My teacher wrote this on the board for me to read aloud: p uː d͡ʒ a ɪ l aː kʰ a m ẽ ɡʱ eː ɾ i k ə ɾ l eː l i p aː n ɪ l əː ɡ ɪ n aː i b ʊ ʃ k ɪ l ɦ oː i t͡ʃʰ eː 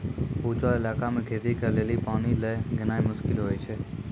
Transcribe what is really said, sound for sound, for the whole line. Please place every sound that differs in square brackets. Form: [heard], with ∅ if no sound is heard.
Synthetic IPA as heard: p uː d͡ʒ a ɪ l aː [k] a m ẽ ɡʱ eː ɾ i k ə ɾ l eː l i p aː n [i] l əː ɡ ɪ n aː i [m] ʊ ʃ k ɪ l ɦ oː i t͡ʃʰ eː